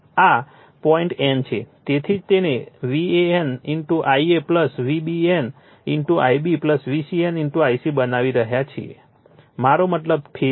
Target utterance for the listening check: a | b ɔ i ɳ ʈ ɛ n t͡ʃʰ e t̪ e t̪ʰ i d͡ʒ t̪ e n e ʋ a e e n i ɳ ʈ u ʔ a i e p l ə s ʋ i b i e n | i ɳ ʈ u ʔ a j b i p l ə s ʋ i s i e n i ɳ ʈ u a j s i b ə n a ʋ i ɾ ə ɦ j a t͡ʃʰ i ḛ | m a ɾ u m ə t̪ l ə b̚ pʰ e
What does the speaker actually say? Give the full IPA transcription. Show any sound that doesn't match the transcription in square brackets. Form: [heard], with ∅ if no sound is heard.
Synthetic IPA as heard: a | [p] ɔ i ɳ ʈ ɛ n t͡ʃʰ e t̪ e t̪ʰ i d͡ʒ t̪ e n e ʋ [i] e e n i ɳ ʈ u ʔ a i e p l ə s ʋ i b i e n | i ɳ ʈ u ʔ a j b i p l ə s ʋ i s i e n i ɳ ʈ u a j s i b ə n a ʋ i ɾ ə ɦ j a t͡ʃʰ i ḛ | m a ɾ [o] m ə t̪ l ə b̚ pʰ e